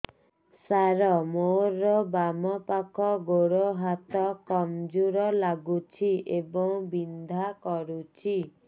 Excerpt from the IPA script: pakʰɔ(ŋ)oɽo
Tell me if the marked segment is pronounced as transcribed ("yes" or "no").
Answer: no